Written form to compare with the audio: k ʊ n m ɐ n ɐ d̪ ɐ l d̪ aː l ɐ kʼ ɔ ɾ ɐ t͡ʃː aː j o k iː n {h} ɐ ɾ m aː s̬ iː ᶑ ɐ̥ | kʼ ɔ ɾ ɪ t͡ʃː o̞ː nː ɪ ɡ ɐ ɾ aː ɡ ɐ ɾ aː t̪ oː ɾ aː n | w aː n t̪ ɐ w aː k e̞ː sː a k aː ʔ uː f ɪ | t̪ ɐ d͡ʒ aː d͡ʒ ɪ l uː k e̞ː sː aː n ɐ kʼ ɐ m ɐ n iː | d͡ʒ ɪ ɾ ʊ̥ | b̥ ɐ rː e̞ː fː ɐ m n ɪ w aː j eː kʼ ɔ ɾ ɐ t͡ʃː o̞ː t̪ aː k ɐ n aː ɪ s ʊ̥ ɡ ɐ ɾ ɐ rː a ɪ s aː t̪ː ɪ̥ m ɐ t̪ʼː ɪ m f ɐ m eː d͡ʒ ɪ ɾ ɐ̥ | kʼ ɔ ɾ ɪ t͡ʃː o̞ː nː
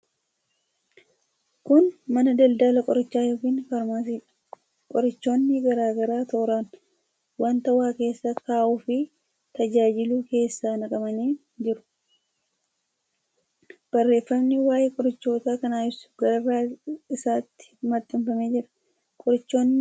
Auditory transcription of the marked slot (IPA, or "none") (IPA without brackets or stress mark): f